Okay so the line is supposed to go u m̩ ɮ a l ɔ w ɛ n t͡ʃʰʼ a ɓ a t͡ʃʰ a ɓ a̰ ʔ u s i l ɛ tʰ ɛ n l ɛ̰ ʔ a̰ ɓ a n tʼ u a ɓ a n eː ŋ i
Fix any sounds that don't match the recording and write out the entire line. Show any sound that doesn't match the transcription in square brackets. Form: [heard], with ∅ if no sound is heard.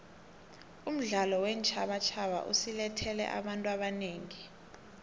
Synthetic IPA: u m̩ ɮ a l ɔ w ɛ n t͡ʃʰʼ a ɓ a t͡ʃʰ a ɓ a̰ ʔ u s i l ɛ tʰ ɛ [∅] l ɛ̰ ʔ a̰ ɓ a n tʼ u a ɓ a n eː ŋ i